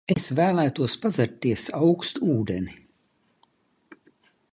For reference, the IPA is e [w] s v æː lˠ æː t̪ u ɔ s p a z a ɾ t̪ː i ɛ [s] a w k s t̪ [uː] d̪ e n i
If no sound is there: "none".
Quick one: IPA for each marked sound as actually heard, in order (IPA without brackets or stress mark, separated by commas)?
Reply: none, s, uː